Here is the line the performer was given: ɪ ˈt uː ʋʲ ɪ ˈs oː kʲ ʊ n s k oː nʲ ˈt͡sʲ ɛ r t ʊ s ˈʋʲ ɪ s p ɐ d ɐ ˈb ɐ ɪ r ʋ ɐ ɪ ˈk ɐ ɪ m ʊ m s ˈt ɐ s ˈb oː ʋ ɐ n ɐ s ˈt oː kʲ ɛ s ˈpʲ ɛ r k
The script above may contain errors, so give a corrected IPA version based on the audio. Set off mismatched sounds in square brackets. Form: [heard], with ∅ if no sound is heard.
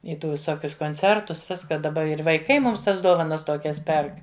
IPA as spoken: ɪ ˈt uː ʋʲ ɪ ˈs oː kʲ ʊ [∅] s k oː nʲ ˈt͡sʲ ɛ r t ʊ s ˈʋʲ ɪ s [k] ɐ d ɐ ˈb ɐ ɪ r ʋ ɐ ɪ ˈk ɐ ɪ m ʊ m s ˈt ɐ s [ˈd] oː ʋ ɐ n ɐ s ˈt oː kʲ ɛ s ˈpʲ ɛ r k